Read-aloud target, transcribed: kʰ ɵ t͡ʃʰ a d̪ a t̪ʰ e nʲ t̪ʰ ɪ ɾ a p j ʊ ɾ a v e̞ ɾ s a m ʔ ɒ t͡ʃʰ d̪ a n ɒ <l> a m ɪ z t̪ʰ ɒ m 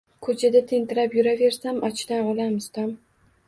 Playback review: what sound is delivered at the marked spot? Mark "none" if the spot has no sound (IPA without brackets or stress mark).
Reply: l